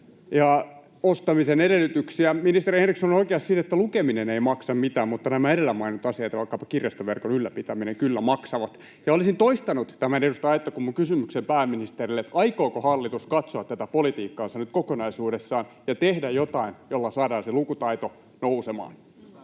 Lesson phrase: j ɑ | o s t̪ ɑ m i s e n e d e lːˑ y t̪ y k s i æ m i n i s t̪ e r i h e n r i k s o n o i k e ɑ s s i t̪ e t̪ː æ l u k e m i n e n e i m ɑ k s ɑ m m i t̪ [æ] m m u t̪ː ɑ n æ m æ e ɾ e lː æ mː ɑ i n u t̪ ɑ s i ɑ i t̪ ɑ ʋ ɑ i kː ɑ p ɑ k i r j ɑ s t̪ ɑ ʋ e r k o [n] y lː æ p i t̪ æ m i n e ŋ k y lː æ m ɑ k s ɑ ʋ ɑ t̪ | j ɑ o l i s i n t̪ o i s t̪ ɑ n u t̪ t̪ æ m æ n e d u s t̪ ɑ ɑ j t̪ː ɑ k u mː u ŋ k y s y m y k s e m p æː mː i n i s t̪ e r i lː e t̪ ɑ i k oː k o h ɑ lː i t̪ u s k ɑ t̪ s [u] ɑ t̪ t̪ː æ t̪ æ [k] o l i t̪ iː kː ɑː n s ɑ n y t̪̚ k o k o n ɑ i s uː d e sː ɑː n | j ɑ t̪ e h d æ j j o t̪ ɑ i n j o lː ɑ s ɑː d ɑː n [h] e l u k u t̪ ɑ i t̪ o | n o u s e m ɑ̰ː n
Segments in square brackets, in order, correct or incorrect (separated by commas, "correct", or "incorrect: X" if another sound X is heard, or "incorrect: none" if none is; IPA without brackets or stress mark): incorrect: æː, correct, incorrect: o, incorrect: p, incorrect: s